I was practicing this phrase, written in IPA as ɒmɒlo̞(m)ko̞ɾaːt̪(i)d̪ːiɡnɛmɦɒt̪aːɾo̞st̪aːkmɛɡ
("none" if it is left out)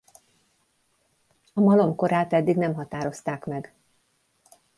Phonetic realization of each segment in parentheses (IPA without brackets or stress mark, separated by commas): m, ɛ